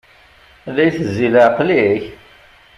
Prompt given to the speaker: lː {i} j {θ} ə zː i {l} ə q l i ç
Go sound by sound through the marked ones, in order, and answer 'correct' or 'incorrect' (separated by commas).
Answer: incorrect, correct, correct